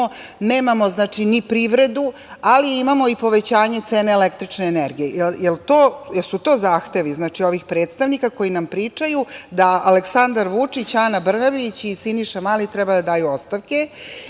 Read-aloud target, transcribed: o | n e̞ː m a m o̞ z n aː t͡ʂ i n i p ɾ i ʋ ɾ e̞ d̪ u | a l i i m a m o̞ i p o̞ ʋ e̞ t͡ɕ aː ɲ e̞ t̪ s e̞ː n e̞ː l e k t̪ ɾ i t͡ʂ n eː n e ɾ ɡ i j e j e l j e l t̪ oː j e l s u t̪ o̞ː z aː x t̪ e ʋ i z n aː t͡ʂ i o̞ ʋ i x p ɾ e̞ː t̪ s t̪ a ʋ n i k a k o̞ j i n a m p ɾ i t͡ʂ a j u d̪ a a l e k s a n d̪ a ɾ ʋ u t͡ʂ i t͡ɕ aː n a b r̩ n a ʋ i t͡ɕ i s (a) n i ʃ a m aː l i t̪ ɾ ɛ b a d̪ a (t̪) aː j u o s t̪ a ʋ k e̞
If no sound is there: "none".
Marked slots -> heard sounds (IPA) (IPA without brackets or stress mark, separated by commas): i, d̪